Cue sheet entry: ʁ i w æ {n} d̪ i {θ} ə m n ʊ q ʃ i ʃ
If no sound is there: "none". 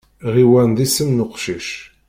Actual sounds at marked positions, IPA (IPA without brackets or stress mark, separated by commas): n, s